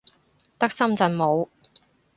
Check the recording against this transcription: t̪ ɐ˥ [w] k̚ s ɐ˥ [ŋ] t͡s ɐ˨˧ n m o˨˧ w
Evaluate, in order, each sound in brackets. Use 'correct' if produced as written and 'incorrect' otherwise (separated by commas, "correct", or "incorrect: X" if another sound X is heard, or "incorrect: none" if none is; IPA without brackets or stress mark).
incorrect: none, incorrect: m